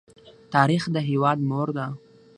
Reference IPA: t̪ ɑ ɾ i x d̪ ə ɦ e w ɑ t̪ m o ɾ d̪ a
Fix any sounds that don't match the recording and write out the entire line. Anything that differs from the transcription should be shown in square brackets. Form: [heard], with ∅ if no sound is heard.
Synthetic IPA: t̪ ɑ ɾ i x d̪ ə ɦ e w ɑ [d̪] m o ɾ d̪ a